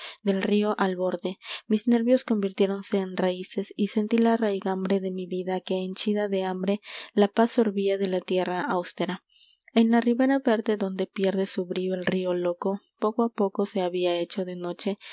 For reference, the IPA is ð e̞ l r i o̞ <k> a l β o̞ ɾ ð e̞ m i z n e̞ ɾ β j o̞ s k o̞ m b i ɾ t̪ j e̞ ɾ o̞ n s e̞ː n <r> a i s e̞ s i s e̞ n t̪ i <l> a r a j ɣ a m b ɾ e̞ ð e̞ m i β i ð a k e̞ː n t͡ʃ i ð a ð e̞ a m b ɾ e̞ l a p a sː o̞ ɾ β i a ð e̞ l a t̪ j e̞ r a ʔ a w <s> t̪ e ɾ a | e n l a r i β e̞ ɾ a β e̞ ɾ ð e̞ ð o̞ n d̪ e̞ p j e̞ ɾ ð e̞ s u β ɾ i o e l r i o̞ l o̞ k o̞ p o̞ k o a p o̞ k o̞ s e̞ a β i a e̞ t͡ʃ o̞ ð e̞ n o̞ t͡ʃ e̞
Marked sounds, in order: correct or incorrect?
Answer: incorrect: ʔ, correct, correct, correct

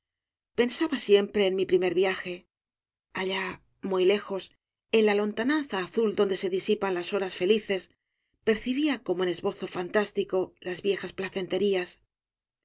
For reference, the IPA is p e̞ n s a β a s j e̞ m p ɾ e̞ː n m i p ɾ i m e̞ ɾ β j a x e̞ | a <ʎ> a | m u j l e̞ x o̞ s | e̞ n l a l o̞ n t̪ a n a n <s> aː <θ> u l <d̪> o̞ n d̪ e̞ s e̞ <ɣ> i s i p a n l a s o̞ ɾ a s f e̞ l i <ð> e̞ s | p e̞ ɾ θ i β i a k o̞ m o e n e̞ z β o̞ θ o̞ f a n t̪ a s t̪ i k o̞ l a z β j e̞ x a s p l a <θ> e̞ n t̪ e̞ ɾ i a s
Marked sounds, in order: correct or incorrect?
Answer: correct, incorrect: θ, correct, correct, incorrect: ð, incorrect: θ, correct

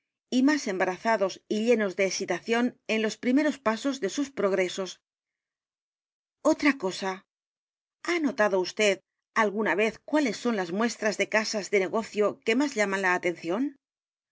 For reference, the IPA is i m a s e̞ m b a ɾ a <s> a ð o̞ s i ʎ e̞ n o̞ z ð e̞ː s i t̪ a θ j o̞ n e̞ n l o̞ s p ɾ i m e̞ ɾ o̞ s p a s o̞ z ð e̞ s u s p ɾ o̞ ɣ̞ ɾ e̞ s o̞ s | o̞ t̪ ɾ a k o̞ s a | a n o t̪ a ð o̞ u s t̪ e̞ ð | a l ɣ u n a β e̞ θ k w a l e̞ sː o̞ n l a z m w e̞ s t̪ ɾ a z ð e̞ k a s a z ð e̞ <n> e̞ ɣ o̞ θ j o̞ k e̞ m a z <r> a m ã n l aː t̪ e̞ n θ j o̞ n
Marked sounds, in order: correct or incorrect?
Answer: incorrect: θ, correct, incorrect: ʎ

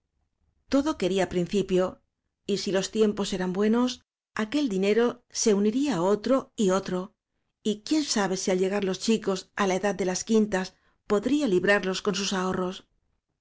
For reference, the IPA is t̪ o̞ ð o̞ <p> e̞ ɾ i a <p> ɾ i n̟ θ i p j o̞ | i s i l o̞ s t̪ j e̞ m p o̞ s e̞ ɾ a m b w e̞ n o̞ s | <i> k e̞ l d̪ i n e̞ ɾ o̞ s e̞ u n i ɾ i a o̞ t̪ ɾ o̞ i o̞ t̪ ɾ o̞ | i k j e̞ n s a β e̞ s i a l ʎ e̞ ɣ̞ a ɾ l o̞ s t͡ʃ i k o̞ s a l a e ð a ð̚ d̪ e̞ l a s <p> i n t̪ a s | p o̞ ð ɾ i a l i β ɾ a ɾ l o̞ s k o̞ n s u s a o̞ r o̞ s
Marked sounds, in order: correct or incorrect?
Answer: incorrect: k, correct, incorrect: a, incorrect: k

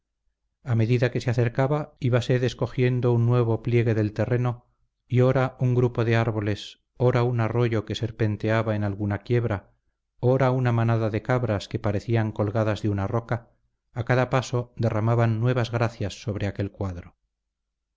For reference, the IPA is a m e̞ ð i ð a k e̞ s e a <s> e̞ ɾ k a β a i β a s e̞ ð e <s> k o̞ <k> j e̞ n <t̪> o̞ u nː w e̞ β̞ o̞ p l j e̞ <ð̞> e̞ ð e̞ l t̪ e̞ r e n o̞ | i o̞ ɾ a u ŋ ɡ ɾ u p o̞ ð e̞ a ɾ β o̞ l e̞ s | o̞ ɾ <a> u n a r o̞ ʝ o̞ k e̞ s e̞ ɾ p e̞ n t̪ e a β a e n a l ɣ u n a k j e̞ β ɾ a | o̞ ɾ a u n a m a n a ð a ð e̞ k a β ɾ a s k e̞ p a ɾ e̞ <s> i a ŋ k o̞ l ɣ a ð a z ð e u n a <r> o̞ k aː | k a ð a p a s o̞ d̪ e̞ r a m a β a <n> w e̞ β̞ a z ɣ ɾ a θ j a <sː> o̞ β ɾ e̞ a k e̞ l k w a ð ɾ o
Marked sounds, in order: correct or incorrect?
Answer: incorrect: θ, correct, incorrect: x, incorrect: d̪, incorrect: ɣ̞, correct, incorrect: θ, correct, incorrect: nː, correct

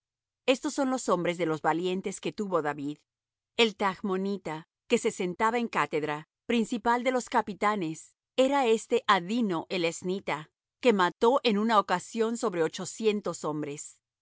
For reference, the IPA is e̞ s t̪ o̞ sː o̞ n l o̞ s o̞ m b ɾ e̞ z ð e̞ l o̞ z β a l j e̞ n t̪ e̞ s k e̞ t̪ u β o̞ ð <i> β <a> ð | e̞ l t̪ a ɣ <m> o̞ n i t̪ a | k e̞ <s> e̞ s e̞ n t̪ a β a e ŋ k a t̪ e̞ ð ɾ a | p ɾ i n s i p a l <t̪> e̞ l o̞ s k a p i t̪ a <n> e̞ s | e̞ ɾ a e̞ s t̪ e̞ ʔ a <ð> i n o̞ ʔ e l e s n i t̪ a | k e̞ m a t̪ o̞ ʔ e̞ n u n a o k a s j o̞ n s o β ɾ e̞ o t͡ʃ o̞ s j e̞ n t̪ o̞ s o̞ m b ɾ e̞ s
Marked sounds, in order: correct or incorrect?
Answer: incorrect: a, incorrect: i, correct, correct, incorrect: d̪, correct, correct

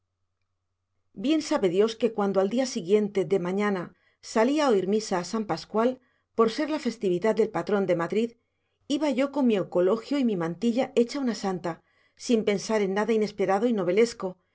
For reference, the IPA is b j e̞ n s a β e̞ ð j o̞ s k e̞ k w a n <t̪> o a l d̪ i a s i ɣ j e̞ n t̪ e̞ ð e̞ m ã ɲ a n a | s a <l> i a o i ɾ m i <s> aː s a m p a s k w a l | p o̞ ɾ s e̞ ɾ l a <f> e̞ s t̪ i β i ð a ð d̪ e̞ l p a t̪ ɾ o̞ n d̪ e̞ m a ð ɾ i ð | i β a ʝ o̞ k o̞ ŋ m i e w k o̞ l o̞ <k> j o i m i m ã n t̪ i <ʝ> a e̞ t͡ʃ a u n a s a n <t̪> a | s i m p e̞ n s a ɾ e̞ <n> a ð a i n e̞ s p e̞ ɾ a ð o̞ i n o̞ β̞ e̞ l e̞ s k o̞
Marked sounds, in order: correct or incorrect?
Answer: incorrect: d̪, correct, correct, correct, incorrect: x, incorrect: ʎ, correct, incorrect: nː

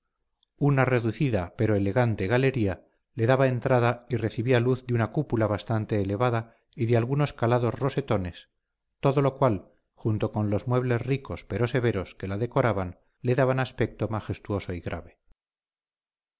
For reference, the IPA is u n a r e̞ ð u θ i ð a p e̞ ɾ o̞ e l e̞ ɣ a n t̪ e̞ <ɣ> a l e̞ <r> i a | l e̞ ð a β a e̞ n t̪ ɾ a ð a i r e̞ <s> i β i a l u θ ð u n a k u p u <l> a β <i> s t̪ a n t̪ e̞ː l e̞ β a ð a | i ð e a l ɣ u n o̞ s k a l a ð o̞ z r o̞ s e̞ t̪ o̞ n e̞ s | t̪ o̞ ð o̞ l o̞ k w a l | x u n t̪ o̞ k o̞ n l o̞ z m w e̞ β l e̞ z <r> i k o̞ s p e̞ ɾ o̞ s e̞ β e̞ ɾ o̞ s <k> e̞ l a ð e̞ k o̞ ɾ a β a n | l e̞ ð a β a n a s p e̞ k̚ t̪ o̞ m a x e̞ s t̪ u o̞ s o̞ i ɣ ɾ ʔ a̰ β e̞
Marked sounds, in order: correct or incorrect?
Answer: correct, incorrect: ɾ, incorrect: θ, correct, incorrect: a, correct, correct

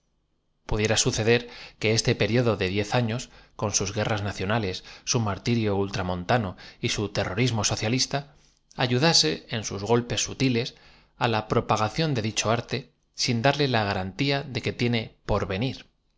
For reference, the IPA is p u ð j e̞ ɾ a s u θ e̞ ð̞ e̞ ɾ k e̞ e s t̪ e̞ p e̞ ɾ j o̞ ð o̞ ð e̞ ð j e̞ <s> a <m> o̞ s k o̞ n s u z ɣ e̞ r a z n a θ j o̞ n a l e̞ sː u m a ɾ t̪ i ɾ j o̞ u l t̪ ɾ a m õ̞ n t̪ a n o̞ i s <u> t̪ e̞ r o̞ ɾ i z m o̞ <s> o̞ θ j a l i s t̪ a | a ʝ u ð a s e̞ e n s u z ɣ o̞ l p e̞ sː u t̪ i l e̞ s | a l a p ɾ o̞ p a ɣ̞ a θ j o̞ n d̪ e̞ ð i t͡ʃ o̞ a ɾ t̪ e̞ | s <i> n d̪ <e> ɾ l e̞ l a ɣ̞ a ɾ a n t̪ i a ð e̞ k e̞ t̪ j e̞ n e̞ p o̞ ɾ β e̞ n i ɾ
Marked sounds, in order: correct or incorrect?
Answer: incorrect: θ, incorrect: ɲ, correct, correct, correct, incorrect: a

